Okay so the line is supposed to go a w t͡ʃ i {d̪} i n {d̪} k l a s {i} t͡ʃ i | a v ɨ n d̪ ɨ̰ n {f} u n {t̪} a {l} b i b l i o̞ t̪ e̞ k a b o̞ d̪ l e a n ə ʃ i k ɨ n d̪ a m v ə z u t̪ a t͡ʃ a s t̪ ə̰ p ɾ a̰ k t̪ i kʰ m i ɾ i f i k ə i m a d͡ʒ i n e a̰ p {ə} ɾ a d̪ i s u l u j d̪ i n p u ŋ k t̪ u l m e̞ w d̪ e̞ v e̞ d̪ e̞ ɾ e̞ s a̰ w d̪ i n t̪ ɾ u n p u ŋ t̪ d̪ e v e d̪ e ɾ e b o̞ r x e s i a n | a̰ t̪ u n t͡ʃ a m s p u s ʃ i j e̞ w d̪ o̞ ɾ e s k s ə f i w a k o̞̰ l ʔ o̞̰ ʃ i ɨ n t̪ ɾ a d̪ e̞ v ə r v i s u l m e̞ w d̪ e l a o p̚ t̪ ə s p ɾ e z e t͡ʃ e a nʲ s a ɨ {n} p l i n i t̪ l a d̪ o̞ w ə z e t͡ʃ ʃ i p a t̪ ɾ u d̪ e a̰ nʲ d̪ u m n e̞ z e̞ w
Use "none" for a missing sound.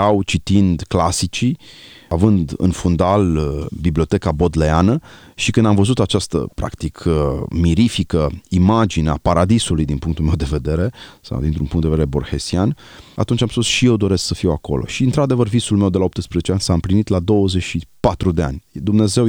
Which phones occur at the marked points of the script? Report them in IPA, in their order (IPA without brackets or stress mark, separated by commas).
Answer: t̪, d̪, i, f, d̪, l, a, m